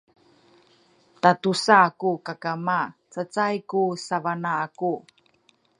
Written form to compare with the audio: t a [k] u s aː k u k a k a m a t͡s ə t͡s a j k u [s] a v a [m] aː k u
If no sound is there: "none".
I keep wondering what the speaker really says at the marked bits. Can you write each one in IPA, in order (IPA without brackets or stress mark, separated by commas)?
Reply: t, s, n